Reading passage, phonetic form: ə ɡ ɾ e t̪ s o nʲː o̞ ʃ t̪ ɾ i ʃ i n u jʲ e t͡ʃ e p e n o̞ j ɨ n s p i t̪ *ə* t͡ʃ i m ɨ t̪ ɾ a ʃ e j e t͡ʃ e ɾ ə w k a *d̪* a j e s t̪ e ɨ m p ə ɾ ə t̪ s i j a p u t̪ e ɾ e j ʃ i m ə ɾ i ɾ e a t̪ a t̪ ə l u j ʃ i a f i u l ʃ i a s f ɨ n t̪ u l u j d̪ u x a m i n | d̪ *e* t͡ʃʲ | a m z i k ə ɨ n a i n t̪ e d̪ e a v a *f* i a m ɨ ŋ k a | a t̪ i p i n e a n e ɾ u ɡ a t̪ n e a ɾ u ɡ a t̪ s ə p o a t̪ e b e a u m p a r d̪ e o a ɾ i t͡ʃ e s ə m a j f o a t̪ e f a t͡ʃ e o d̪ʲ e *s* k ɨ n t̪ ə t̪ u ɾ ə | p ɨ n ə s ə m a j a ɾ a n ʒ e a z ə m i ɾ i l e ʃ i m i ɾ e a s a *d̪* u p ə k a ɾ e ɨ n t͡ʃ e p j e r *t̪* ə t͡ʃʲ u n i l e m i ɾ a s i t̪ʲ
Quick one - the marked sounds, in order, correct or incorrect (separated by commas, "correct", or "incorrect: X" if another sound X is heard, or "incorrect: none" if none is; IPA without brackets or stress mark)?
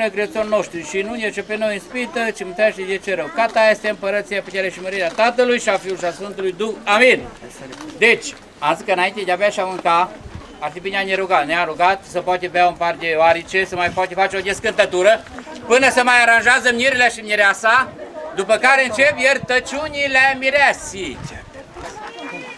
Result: correct, incorrect: t̪, correct, incorrect: ʃ, correct, correct, correct